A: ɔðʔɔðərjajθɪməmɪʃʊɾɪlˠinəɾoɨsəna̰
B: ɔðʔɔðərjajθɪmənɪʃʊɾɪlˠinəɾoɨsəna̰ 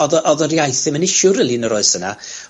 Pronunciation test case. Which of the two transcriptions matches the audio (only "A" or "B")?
B